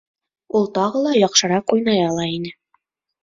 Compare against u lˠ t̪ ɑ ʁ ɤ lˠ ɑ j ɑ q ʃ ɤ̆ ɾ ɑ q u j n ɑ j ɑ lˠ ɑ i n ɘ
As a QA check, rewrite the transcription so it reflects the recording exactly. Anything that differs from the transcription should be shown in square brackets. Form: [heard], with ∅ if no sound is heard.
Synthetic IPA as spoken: u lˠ t̪ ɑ ʁ ɤ lˠ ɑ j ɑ q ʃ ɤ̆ ɾ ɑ q u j n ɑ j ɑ lˠ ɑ i n ɘ